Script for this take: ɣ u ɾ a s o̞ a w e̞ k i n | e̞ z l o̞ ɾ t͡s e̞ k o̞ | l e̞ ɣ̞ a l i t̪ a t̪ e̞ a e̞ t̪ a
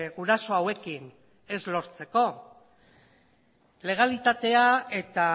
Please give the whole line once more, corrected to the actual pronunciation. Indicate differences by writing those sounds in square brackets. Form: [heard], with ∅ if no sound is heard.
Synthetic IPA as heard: ɣ u ɾ a s o̞ a w e̞ k i n | e̞ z l o̞ ɾ t͡s e̞ k o̞ | l e̞ ɣ̞ a l i t̪ a t̪ e̞ a e̞ t̪ a